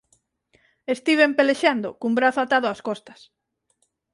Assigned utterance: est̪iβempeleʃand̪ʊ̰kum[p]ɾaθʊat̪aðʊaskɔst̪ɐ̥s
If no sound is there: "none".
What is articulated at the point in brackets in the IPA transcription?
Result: b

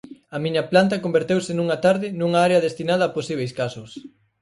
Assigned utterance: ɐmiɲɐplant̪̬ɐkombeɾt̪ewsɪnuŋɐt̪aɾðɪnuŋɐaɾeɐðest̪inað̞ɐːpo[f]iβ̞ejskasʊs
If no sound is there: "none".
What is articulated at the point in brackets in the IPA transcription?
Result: s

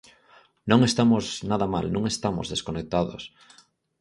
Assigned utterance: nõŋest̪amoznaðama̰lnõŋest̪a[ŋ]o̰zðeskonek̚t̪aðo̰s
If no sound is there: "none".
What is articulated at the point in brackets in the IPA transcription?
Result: m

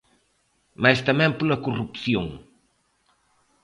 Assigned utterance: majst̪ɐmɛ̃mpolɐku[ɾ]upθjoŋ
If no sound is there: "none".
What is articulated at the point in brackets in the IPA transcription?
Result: r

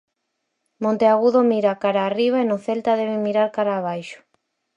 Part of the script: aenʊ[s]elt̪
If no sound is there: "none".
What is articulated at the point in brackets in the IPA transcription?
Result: θ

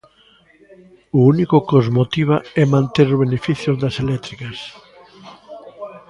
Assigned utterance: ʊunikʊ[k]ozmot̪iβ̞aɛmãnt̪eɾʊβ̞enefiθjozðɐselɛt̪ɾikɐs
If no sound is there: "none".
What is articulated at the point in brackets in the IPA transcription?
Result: k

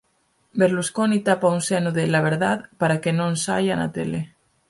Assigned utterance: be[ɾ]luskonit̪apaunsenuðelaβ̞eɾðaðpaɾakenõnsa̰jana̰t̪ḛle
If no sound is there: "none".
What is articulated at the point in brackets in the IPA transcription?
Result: ɾ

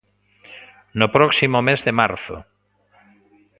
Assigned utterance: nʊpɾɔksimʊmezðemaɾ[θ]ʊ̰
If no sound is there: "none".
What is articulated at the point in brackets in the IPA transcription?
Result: θ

